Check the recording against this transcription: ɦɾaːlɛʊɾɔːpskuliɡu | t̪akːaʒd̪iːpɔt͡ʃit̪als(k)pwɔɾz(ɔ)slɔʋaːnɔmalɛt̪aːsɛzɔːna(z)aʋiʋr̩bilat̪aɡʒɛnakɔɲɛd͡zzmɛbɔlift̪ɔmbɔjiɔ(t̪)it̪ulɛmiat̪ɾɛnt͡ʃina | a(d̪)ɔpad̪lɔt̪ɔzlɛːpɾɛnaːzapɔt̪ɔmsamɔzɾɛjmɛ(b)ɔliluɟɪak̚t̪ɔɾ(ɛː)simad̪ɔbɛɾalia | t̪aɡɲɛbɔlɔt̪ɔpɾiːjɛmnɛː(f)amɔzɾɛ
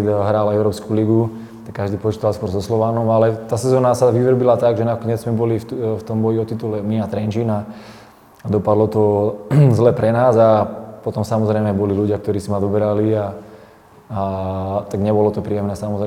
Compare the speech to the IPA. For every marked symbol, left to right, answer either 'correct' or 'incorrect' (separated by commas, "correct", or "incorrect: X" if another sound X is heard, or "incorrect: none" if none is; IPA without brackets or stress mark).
correct, correct, incorrect: s, correct, correct, correct, incorrect: iː, incorrect: s